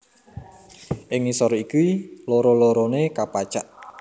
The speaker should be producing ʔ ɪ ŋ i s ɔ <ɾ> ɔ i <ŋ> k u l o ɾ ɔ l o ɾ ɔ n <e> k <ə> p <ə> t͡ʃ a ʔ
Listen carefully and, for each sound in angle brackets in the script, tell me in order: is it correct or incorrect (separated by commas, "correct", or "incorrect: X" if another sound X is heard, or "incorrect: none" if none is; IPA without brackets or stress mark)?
correct, incorrect: none, correct, incorrect: a, incorrect: a